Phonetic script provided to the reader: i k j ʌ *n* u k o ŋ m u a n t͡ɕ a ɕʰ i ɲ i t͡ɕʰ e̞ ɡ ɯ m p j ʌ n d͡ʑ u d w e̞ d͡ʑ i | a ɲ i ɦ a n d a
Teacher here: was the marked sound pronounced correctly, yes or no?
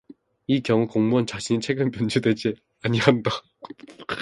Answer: no